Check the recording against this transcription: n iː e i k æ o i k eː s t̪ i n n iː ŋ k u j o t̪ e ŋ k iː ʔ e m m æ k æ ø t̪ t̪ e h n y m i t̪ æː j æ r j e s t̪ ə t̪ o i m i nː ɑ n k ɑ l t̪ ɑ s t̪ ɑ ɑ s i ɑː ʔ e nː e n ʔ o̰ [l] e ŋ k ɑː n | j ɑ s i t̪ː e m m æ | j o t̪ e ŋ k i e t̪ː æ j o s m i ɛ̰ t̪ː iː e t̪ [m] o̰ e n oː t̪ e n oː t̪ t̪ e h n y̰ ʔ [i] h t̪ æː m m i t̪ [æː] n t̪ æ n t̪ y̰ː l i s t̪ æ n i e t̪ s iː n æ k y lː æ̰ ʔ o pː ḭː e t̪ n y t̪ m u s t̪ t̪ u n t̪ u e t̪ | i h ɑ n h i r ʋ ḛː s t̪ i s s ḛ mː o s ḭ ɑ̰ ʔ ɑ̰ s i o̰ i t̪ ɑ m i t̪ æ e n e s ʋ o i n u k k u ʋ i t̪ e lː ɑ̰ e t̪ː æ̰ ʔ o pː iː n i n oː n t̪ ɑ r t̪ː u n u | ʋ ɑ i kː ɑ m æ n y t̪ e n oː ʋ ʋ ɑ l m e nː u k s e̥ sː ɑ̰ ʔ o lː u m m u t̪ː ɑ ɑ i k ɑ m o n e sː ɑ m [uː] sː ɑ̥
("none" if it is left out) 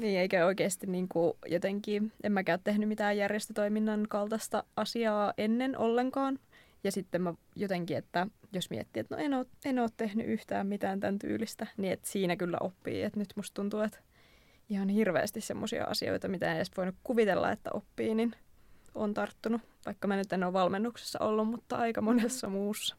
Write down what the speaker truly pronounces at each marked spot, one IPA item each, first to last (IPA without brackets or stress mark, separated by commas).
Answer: lː, n, y, æː, uː